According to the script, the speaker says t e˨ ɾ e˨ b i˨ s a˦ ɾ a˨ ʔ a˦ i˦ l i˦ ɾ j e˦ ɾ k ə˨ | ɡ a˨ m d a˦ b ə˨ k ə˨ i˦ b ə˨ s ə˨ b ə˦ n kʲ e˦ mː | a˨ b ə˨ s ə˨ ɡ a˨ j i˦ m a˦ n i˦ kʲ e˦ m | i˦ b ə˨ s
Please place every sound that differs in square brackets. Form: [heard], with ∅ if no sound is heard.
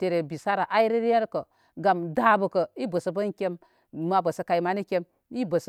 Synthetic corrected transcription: t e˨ ɾ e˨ b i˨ s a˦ ɾ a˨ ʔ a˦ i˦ [ɾ] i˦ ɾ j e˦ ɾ k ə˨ | ɡ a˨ m d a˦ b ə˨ k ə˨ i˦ b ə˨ s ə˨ b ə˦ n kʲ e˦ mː | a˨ b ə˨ s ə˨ [k] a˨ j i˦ m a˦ n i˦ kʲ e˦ m | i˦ b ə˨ s